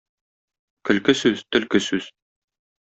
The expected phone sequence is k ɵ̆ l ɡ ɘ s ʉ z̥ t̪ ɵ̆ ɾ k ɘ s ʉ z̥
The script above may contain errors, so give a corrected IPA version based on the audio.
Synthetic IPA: k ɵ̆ l k ɘ s ʉ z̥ t̪ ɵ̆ l k ɘ s ʉ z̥